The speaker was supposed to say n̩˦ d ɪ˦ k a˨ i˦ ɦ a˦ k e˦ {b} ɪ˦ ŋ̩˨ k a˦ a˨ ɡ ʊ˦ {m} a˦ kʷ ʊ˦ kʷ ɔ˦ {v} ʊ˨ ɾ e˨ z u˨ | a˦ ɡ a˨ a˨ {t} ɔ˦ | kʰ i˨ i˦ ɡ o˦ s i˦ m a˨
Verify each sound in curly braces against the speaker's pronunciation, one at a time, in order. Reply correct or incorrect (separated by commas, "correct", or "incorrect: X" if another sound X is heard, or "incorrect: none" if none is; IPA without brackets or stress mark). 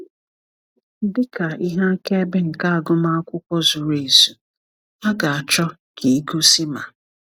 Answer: correct, correct, incorrect: z, incorrect: t͡ʃ